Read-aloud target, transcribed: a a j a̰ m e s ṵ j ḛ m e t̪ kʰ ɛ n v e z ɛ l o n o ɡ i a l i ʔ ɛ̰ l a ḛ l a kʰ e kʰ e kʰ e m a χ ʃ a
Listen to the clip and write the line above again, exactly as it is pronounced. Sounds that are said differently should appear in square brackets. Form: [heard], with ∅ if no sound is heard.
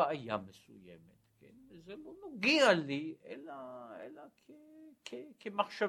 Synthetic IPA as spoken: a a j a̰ m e s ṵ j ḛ m e t̪ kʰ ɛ n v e z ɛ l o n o ɡ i a l i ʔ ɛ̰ l a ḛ l a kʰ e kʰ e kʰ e m a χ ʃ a